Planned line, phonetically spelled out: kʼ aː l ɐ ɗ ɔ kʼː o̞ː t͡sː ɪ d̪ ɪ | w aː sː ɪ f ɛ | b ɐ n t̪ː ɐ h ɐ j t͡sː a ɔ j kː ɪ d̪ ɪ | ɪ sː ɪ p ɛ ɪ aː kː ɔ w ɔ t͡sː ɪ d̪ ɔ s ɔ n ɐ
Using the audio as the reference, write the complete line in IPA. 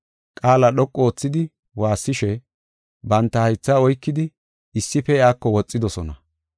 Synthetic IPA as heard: kʼ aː l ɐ ɗ ɔ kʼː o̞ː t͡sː ɪ d̪ ɪ | w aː sː ɪ ʃ ɛ | b ɐ n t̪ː ɐ h ɐ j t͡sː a ɔ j kː ɪ d̪ ɪ | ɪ sː ɪ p ɛ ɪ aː kː ɔ w ɔ t͡sʼː ɪ d̪ ɔ s ɔ n ɐ